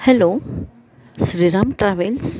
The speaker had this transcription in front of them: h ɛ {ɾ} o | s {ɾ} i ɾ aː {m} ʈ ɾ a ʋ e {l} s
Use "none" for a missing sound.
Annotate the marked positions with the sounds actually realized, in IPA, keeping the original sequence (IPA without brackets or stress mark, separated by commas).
l, ɾ, m, l